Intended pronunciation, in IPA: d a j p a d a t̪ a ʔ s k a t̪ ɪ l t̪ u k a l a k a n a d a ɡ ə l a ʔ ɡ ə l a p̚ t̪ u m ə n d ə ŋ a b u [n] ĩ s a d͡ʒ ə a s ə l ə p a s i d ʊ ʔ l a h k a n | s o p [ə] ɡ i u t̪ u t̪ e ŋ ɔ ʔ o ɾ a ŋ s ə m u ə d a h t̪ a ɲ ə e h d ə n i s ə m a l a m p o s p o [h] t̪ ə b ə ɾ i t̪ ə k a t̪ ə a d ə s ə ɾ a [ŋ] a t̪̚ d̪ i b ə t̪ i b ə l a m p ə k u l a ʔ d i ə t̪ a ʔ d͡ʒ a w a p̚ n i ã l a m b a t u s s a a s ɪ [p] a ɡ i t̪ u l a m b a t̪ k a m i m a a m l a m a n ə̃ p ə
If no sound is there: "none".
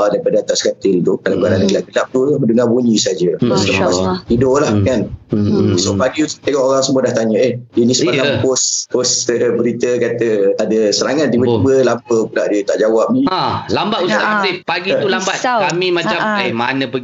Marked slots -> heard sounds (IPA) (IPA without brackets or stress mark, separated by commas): ɲ, a, s, ŋ, p